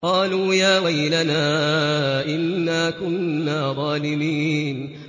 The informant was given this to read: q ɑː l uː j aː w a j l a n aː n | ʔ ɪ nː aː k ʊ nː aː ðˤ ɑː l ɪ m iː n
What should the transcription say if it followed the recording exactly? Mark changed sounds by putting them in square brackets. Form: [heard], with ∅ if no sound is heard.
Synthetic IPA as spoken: q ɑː l uː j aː w a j l a n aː [∅] | ʔ ɪ nː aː k ʊ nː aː ðˤ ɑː l ɪ m iː n